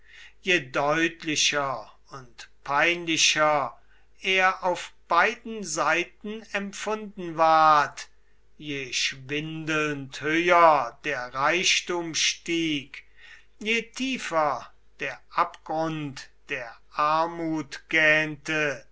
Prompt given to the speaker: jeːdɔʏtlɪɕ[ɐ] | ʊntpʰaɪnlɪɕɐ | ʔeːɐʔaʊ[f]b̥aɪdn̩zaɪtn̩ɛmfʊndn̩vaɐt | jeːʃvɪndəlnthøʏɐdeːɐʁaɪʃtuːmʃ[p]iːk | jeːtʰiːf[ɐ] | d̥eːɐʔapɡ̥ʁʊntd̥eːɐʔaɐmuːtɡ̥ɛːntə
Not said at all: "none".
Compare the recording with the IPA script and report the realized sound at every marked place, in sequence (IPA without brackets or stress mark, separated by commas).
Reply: ɐ, f, t, ɐ